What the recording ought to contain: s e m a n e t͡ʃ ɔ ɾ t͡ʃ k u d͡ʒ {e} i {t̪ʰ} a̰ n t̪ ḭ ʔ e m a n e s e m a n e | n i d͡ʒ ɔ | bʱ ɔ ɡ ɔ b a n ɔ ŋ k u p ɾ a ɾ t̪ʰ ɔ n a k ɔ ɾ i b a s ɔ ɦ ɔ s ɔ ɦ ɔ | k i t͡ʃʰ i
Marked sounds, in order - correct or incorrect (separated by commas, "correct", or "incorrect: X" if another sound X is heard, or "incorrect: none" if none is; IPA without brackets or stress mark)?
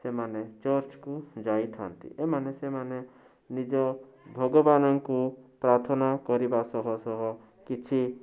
incorrect: a, correct